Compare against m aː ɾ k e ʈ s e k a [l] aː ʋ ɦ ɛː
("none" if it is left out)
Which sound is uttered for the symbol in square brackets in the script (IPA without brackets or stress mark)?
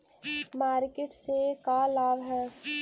l